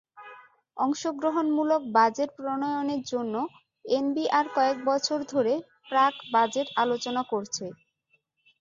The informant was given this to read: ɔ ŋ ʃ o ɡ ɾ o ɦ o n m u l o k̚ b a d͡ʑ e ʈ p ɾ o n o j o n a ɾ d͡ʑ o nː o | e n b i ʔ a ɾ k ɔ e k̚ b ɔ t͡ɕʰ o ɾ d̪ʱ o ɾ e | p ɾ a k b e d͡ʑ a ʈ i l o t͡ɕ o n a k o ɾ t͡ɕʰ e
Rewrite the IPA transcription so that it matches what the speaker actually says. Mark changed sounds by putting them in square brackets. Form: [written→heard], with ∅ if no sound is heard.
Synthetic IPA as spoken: ɔ ŋ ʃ o ɡ ɾ o ɦ o n m u l o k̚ b a d͡ʑ e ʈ p ɾ o n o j o n [a→e] ɾ d͡ʑ o nː o | e n b i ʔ a ɾ k ɔ e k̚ b ɔ t͡ɕʰ o ɾ d̪ʱ o ɾ e | p ɾ a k b [e→a] d͡ʑ [a→e] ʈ [i→a] l o t͡ɕ o n a k o ɾ t͡ɕʰ e